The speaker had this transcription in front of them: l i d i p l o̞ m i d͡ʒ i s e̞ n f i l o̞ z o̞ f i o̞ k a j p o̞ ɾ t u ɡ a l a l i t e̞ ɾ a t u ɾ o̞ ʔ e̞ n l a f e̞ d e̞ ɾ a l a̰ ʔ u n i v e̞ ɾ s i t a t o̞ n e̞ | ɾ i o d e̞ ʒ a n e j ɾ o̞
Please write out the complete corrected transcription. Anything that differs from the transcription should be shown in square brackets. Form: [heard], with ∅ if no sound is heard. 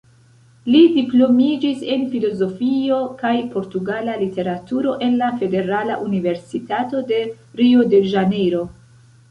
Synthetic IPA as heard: l i d i p l o̞ m i d͡ʒ i s e̞ n f i l o̞ z o̞ f i o̞ k a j p o̞ ɾ t u ɡ a l a l i t e̞ ɾ a t u ɾ o̞ ʔ e̞ n l a f e̞ d e̞ ɾ a l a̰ ʔ u n i v e̞ ɾ s i t a t o̞ [d] e̞ | ɾ i o d e̞ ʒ a n e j ɾ o̞

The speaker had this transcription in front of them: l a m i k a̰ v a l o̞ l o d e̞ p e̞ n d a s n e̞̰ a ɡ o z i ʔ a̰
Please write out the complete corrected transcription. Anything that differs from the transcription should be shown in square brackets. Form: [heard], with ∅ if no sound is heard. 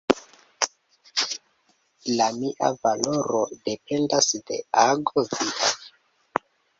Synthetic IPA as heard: l a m i [ʔ] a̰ v a l o̞ [ɾ] o d e̞ p e̞ n d a s [d] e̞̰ a ɡ o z i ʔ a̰

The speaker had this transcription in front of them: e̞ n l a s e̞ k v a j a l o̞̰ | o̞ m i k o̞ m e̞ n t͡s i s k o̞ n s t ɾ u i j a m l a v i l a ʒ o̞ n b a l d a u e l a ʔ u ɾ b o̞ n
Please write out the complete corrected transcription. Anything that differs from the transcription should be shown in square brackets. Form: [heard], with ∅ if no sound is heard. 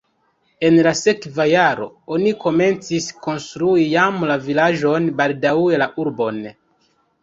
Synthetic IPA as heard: e̞ n l a s e̞ k v a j a [ɾ] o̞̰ | o̞ [n] i k o̞ m e̞ n t͡s i s k o̞ n s t ɾ u i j a m l a v i l a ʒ o̞ n b a l d a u e l a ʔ u ɾ b o̞ n

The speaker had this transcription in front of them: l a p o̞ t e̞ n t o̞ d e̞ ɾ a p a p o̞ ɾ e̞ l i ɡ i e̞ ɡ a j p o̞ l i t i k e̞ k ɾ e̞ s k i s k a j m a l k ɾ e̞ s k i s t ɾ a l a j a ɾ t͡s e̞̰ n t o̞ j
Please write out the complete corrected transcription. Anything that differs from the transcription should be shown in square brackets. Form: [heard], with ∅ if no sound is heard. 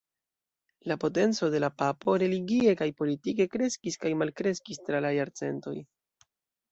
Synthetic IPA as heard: l a p o̞ t e̞ n [t͡s] o̞ d e̞ [l] a p a p o̞ ɾ e̞ l i ɡ i e̞ [k] a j p o̞ l i t i k e̞ k ɾ e̞ s k i s k a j m a l k ɾ e̞ s k i s t ɾ a l a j a ɾ t͡s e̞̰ n t o̞ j

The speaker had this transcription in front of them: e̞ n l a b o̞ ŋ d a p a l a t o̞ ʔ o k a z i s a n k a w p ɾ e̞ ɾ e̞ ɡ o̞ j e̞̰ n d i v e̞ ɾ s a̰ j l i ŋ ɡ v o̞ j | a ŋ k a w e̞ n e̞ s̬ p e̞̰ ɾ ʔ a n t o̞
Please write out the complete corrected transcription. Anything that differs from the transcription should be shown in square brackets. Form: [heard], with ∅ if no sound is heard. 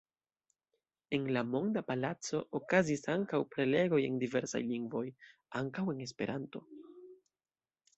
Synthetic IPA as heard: e̞ n l a [m] o̞ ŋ d a p a l a [t͡s] o̞ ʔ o k a z i s a [ŋ] k a w p ɾ e̞ [l] e̞ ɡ o̞ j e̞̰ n d i v e̞ ɾ s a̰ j l i ŋ ɡ v o̞ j | a ŋ k a w e̞ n e̞ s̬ p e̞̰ ɾ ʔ a n t o̞

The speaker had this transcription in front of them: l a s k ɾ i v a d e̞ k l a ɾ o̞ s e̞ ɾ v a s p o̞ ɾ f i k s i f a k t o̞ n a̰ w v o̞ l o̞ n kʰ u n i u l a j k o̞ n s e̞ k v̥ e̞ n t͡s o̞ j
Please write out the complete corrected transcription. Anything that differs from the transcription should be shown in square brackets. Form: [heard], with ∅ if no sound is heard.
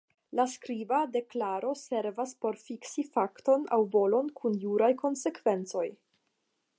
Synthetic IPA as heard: l a s k ɾ i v a d e̞ k l a ɾ o̞ s e̞ ɾ v a s p o̞ ɾ f i k s i f a k t o̞ n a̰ w v o̞ l o̞ n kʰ u n [j] u [ɾ] a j k o̞ n s e̞ k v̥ e̞ n t͡s o̞ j

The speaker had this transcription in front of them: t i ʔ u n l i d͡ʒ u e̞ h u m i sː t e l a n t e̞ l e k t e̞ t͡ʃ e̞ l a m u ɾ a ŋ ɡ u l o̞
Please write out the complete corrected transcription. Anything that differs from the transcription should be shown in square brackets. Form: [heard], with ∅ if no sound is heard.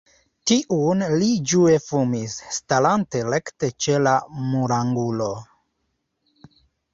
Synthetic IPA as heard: t i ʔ u n l i d͡ʒ u e̞ [f] u m i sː t [a] l a n t e̞ l e k t e̞ t͡ʃ e̞ l a m u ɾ a ŋ ɡ u l o̞

